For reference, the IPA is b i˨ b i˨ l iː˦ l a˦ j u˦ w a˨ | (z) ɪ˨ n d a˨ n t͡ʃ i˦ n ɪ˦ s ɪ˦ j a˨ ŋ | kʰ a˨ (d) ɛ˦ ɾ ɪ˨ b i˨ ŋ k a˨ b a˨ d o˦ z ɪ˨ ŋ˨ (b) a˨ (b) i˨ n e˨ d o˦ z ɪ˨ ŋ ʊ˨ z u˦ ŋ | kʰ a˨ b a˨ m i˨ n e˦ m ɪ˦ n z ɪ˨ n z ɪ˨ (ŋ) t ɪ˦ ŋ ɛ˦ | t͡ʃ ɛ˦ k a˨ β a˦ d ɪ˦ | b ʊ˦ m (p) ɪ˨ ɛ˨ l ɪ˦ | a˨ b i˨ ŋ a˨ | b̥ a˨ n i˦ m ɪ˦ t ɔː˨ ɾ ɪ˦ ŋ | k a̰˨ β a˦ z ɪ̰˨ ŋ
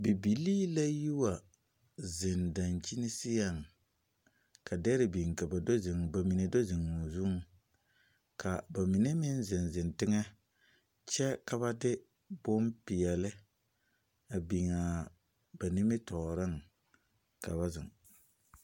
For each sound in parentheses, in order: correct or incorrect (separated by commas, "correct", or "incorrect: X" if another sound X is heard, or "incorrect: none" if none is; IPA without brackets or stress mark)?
correct, correct, correct, incorrect: m, incorrect: n, correct